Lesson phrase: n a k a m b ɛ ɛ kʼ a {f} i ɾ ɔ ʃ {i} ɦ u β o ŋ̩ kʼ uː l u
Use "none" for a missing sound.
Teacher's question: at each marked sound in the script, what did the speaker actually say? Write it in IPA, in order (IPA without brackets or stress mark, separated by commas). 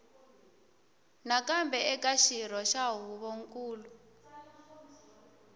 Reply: ʃ, a